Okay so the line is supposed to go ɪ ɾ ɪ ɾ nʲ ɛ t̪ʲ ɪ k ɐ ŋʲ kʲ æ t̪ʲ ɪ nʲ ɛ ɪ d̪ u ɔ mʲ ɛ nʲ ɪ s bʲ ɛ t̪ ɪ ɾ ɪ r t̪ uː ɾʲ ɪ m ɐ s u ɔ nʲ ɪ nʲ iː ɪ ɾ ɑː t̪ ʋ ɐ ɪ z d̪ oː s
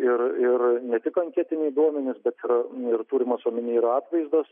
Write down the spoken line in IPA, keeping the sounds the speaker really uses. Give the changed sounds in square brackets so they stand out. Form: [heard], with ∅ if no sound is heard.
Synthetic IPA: ɪ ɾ ɪ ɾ nʲ ɛ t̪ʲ ɪ k ɐ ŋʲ kʲ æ t̪ʲ ɪ nʲ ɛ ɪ d̪ u ɔ mʲ ɛ nʲ ɪ s bʲ ɛ t̪ ɪ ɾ ɪ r t̪ uː ɾʲ ɪ m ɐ s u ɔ [mʲ] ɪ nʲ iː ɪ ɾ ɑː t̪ ʋ ɐ ɪ z d̪ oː s